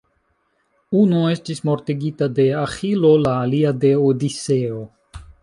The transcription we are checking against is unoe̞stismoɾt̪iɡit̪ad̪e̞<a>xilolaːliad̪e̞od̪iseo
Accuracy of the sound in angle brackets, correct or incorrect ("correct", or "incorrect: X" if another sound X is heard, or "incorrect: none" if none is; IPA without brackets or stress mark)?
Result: correct